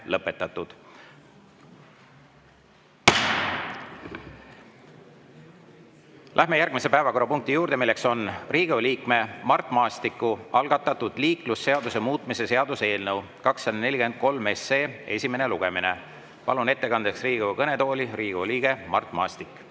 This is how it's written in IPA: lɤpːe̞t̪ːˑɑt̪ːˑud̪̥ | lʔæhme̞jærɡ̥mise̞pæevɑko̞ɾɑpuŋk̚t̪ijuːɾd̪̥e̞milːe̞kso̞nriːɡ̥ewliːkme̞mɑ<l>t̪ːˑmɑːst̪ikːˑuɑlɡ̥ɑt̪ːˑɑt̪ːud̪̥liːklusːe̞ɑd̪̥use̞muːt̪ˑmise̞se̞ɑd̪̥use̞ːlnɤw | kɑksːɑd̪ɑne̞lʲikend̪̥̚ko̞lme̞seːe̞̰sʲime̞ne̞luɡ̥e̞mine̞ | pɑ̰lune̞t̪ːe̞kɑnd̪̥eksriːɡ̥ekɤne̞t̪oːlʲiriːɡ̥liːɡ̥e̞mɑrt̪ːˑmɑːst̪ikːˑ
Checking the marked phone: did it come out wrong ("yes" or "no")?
yes